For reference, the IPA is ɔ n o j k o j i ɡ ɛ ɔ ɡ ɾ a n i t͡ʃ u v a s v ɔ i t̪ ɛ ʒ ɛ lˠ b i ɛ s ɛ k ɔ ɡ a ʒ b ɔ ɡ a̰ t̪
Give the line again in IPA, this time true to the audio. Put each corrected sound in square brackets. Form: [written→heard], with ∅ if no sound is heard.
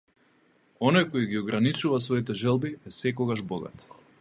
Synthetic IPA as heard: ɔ n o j k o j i ɡ [ɛ→i] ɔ ɡ ɾ a n i t͡ʃ u v a s v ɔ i t̪ ɛ ʒ ɛ lˠ b i ɛ s ɛ k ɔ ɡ a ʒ b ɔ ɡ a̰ t̪